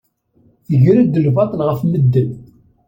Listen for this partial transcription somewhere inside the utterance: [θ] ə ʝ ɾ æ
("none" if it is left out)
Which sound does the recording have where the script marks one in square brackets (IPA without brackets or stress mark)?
θ